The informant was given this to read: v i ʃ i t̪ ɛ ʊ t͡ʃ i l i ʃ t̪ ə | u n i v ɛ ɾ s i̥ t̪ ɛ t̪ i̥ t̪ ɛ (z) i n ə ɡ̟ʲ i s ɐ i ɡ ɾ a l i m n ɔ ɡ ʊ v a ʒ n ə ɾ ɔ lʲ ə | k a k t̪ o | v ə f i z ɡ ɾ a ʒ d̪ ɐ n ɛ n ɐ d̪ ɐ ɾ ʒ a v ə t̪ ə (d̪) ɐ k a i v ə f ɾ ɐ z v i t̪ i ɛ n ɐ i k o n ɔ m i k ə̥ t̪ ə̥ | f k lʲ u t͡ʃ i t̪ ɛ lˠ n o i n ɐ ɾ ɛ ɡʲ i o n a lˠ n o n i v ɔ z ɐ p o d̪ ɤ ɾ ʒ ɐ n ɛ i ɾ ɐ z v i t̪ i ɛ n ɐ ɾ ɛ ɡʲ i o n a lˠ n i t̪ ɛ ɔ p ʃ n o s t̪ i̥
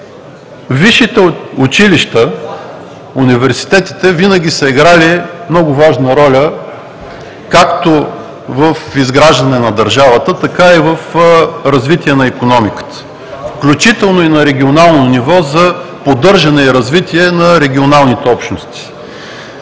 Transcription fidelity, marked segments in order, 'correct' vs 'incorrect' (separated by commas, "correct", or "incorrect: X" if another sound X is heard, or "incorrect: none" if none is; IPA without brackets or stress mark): incorrect: v, incorrect: t̪